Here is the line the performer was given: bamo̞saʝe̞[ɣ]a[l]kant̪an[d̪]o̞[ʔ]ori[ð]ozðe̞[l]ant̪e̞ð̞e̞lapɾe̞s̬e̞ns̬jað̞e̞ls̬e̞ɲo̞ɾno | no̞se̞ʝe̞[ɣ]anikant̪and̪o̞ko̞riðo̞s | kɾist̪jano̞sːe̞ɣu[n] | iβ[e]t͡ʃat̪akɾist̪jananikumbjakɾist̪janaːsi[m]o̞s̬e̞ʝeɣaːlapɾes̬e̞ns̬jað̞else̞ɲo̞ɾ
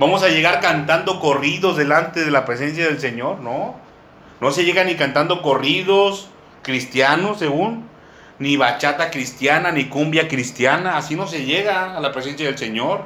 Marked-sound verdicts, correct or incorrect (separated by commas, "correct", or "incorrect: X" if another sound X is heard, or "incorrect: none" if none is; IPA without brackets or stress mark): correct, incorrect: ɾ, correct, incorrect: k, correct, correct, correct, incorrect: nː, incorrect: a, incorrect: n